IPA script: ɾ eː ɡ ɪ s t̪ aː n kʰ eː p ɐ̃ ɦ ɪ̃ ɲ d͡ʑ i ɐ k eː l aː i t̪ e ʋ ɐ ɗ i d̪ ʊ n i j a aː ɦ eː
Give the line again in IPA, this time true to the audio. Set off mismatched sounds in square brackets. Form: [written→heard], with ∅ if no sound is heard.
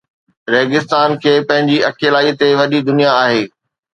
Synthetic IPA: ɾ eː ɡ ɪ s t̪ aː n kʰ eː p ɐ̃ ɦ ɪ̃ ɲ d͡ʑ i ɐ k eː l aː i t̪ e ʋ ɐ ɗ i d̪ ʊ n i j a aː ɦ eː